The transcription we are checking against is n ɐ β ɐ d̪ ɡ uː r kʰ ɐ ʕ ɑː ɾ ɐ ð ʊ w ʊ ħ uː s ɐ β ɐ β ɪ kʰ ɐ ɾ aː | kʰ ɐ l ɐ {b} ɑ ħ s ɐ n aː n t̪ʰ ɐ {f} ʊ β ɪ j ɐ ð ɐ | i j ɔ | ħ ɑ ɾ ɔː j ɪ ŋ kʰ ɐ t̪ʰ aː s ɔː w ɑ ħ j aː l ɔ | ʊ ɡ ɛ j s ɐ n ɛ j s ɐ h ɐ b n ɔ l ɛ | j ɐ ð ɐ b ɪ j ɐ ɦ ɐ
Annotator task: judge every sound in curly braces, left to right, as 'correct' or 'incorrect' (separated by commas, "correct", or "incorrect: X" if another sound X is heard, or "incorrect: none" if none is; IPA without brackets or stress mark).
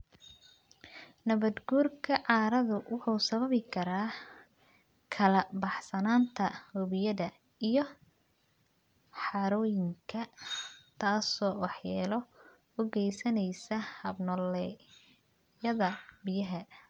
correct, incorrect: h